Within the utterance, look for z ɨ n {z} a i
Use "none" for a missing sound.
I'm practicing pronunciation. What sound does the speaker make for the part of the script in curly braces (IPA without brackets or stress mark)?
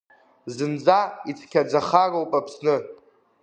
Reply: d͡z